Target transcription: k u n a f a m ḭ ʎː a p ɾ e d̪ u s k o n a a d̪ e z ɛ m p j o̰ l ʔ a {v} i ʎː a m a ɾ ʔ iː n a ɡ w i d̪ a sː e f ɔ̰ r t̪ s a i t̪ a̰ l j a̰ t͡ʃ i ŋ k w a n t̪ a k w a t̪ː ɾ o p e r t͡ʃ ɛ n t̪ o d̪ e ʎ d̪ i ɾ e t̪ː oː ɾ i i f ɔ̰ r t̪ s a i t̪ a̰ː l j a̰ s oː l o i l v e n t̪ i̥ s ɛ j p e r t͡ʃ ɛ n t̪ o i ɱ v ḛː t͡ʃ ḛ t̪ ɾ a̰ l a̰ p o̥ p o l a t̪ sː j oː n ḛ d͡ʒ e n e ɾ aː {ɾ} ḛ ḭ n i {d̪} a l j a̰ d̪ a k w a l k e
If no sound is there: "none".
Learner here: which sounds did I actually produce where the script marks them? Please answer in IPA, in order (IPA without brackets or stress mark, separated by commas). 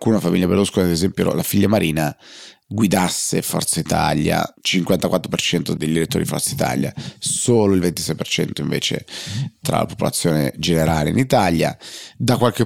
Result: f, l, t̪